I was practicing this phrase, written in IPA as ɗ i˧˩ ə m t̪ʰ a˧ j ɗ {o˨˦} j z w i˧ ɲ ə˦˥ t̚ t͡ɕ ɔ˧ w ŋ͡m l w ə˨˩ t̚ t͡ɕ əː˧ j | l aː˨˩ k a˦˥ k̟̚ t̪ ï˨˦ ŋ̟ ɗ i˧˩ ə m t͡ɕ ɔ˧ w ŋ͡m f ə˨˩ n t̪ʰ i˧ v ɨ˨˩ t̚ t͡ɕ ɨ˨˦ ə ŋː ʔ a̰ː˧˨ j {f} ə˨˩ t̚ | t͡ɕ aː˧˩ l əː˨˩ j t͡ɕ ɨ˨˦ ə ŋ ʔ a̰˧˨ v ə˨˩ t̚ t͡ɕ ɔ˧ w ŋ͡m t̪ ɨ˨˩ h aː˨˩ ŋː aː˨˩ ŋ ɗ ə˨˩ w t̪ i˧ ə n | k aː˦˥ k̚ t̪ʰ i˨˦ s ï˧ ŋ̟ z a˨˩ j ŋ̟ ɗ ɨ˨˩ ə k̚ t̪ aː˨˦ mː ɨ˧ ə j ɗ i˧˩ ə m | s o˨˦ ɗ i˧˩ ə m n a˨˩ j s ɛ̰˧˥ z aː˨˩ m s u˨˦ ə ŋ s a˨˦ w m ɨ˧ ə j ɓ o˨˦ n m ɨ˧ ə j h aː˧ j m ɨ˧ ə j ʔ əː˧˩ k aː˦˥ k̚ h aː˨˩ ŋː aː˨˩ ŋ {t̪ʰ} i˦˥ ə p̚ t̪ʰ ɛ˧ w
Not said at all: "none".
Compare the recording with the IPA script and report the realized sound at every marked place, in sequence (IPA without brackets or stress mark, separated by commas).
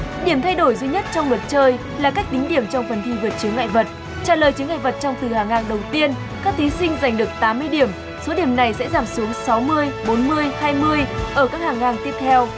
o˧˩, v, t̪